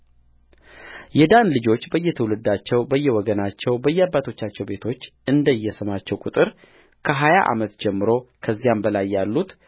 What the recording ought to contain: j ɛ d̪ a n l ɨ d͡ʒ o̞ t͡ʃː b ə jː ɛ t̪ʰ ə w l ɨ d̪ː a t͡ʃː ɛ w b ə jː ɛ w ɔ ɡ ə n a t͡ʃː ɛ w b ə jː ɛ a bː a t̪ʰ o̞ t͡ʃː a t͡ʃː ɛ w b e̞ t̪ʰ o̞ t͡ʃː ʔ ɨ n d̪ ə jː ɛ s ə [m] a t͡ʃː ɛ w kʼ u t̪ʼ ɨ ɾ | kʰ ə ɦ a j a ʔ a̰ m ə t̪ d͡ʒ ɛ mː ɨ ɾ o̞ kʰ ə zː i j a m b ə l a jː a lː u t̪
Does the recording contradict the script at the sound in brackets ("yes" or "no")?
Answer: no